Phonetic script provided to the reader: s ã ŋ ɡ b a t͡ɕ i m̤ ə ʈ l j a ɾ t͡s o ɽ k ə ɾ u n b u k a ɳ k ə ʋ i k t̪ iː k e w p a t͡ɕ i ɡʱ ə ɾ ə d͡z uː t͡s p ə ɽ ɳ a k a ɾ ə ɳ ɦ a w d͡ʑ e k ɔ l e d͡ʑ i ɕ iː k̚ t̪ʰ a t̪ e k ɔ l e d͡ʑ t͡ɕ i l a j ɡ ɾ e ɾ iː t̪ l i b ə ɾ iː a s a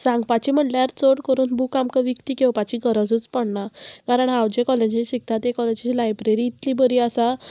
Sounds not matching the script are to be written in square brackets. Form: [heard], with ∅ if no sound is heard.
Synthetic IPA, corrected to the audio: s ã ŋ ɡ [p] a t͡ɕ i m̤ ə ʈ l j a ɾ t͡s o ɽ k ə ɾ [uː] n b u k a [m] k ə ʋ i k t̪ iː k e w p a t͡ɕ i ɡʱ ə ɾ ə d͡z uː t͡s p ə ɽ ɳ a k a ɾ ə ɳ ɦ a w d͡ʑ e k ɔ l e d͡ʑ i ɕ [i] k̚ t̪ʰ a t̪ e k ɔ l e d͡ʑ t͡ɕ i l a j [b] ɾ e ɾ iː t̪ l i b ə ɾ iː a s a